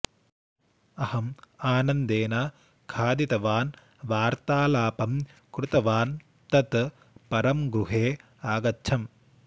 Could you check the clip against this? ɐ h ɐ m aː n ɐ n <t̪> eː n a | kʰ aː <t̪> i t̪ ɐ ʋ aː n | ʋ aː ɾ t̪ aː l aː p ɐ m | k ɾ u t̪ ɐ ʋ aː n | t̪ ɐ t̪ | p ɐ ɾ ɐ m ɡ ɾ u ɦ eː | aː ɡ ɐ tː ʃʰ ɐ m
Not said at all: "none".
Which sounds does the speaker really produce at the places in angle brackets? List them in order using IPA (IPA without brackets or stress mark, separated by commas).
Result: d̪, d̪